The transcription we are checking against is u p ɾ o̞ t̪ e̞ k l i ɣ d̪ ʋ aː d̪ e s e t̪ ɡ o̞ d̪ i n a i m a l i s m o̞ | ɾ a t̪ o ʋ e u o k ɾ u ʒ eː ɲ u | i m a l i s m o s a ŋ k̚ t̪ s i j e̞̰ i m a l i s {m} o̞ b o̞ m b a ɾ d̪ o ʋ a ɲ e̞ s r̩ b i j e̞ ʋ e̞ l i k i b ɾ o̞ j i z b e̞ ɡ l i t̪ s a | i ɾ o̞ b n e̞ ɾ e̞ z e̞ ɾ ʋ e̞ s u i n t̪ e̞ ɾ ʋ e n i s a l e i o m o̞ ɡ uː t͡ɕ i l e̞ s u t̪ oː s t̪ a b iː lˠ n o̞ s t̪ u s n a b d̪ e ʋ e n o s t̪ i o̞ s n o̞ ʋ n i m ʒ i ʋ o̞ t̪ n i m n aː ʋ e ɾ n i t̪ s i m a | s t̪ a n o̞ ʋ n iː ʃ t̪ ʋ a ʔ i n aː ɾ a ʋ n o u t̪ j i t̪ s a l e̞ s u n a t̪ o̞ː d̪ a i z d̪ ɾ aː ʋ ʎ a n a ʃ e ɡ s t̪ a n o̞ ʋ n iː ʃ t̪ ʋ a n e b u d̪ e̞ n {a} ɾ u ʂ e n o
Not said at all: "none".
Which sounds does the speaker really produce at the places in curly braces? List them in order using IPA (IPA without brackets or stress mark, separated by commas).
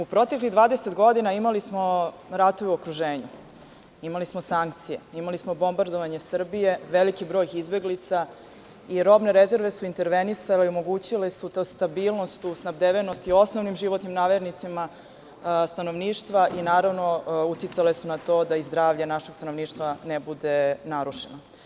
m, a